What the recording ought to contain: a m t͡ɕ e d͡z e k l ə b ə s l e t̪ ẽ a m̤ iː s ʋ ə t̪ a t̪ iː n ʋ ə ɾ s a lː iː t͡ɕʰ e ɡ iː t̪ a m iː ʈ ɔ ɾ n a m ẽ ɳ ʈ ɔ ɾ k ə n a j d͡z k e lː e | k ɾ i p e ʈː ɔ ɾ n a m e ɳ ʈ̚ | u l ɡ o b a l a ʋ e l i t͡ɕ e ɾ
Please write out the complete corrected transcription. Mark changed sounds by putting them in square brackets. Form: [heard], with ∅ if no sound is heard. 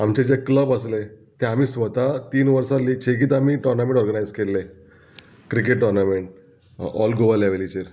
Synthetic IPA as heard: a m t͡ɕ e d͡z e k l ə b ə s l e t̪ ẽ a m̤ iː s ʋ ə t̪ a t̪ iː n ʋ ə ɾ s a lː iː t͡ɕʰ e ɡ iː t̪ a m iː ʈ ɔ ɾ n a m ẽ ɳ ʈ ɔ ɾ [ɡ] ə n a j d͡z k e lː e | k ɾ i [k] e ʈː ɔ ɾ n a m e ɳ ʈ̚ | [ɔ] l ɡ o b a l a ʋ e l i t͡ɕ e ɾ